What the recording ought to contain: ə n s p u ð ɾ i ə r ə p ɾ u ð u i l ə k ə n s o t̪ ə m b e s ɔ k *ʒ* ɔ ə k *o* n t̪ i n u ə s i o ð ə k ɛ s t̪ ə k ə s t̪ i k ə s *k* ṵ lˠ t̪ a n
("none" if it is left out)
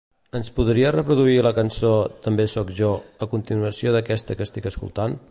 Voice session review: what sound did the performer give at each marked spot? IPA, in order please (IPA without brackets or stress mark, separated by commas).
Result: ʒ, u, k